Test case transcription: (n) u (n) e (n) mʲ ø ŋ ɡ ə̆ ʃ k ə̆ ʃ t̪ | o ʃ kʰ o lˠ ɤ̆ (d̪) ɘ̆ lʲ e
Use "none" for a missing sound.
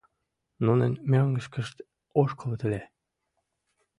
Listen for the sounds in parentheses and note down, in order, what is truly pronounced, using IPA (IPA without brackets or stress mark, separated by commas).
n, n, n, t̪